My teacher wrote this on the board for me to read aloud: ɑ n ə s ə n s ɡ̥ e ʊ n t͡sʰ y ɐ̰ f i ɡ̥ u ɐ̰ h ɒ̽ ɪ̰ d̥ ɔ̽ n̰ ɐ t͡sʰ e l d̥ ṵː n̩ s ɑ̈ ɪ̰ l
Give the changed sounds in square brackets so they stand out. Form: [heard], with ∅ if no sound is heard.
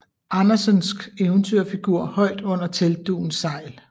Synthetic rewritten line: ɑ n [ɐ] s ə n s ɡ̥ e ʊ n t͡sʰ y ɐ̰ f i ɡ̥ u ɐ̰ h ɒ̽ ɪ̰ d̥ ɔ̽ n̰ ɐ t͡sʰ e l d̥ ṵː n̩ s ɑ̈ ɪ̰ l